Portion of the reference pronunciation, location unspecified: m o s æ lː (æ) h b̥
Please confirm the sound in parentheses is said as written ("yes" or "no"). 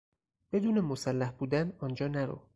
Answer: yes